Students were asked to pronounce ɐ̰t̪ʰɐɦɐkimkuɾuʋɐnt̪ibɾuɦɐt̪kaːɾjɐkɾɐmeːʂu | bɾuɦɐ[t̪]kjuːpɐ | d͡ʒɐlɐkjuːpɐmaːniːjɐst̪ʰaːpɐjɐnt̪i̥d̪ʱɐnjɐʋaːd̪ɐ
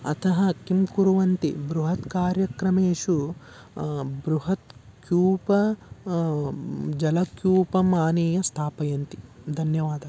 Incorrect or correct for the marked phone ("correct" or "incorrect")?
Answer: correct